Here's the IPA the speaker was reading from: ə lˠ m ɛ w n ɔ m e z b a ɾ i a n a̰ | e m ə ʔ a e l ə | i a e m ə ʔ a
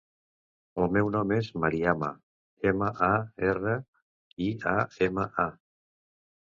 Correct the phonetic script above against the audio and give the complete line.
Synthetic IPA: ə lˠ m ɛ w n ɔ m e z m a ɾ i a m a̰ | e m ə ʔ a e r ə | i a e m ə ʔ a